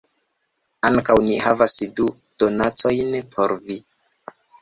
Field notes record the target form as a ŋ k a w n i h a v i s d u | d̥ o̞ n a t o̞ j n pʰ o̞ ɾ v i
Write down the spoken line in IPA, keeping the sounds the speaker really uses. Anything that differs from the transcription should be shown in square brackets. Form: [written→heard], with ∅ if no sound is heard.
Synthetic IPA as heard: a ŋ k a w n i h a v [i→a] s d u | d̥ o̞ n a [t→t͡s] o̞ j n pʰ o̞ ɾ v i